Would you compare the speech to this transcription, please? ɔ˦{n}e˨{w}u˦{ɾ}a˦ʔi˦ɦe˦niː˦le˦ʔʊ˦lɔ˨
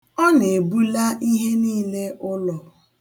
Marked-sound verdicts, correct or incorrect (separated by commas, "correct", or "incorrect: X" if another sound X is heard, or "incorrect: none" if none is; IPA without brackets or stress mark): correct, incorrect: b, incorrect: l